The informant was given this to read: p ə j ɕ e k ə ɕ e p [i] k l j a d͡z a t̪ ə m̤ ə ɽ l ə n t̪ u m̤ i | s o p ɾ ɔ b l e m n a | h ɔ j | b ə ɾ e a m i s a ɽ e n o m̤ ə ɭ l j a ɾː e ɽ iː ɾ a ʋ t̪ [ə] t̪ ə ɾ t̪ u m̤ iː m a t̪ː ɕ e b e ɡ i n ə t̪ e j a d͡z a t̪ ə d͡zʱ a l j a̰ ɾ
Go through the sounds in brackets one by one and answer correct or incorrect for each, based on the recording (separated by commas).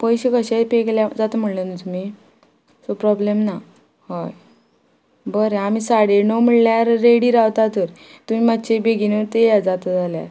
incorrect, incorrect